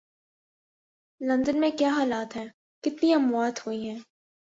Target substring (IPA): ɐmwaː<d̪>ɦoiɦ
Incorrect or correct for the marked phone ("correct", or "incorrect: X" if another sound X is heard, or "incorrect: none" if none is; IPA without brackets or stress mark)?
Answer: incorrect: t̪